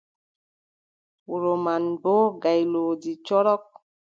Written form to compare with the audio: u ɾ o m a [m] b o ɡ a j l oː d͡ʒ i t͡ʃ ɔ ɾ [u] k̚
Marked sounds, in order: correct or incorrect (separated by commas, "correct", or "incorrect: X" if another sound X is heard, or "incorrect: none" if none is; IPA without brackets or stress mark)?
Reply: incorrect: n, incorrect: ɔ